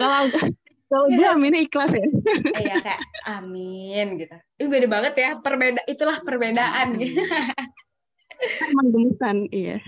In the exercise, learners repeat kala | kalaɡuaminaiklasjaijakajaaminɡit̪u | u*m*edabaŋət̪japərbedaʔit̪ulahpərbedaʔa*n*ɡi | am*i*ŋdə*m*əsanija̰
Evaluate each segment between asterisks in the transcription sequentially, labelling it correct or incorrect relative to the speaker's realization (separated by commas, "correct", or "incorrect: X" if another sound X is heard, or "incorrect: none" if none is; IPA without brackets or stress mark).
incorrect: b, correct, incorrect: a, correct